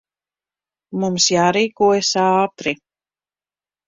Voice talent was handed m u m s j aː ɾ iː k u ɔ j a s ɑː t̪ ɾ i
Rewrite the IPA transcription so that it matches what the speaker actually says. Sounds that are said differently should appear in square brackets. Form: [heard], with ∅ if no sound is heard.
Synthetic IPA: m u m s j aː ɾ iː k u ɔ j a s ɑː t̪ ɾ i